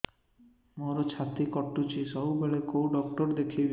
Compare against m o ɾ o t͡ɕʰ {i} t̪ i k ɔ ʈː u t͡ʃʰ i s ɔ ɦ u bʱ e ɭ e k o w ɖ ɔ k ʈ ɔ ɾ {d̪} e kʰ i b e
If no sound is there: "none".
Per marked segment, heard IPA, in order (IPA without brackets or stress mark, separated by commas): a, d̪